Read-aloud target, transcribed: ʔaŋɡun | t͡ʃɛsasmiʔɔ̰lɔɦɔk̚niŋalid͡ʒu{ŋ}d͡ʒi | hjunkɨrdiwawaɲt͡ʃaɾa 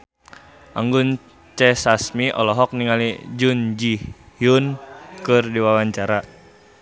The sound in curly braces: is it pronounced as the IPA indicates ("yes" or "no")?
no